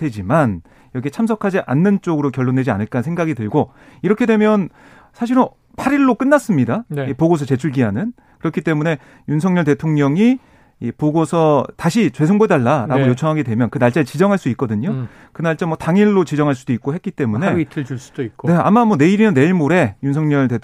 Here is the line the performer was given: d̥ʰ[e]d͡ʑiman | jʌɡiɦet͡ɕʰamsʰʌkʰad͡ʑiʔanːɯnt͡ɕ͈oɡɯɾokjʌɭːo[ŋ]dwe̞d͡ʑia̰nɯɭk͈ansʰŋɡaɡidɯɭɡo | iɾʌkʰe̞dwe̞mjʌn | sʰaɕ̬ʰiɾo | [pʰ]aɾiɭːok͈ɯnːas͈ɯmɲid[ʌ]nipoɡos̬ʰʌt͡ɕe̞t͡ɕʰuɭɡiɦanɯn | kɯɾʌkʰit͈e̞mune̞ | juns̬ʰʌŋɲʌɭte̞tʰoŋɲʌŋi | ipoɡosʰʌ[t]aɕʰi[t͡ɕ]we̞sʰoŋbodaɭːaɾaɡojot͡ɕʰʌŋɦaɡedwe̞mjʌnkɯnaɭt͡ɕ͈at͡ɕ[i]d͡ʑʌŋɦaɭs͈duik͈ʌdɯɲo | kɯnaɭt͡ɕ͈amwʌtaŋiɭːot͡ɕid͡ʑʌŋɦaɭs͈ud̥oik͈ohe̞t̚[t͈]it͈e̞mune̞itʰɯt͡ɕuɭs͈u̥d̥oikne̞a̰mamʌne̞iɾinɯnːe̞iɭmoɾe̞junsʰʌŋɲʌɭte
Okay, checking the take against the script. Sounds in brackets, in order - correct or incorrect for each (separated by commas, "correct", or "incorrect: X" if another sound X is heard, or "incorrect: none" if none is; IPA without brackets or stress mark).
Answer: correct, incorrect: n, correct, incorrect: a, correct, correct, correct, incorrect: k͈